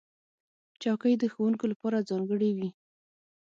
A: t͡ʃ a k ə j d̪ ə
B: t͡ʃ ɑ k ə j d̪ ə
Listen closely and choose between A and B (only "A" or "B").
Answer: B